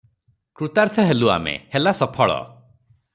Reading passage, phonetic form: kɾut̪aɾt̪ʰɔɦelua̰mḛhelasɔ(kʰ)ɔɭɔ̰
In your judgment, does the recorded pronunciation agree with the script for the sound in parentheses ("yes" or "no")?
no